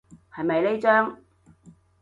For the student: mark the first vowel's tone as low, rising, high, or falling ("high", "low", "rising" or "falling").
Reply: low